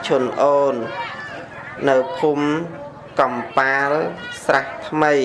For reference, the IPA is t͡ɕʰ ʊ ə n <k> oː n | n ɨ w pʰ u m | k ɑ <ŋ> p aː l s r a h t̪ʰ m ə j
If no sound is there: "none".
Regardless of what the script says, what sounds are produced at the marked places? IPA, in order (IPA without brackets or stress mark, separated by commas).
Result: ʔ, m